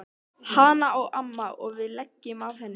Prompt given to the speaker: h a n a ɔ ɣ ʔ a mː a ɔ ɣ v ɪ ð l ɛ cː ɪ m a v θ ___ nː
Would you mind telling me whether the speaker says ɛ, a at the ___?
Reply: ɛ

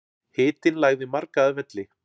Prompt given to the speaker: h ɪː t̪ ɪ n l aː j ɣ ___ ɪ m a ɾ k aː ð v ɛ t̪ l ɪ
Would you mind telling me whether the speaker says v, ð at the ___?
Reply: ð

